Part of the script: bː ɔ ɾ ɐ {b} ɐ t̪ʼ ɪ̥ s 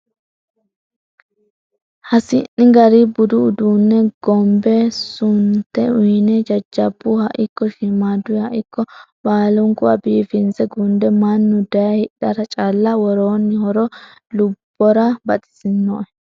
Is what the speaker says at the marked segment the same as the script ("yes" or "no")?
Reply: yes